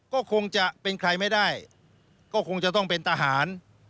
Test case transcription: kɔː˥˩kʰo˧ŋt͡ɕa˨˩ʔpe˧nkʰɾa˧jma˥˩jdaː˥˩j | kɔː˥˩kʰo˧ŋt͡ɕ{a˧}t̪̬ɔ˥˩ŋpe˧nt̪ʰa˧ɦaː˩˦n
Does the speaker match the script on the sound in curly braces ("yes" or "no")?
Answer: no